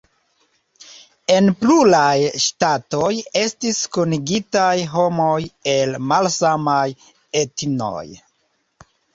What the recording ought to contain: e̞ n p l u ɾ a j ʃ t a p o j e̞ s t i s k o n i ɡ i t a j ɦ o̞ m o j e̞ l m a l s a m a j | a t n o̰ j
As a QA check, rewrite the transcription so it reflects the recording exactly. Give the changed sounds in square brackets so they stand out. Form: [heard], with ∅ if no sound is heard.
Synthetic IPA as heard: e̞ n p l u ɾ a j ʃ t a [t] o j e̞ s t i s k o n i ɡ i t a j ɦ o̞ m o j e̞ l m a l s a m a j | [e] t n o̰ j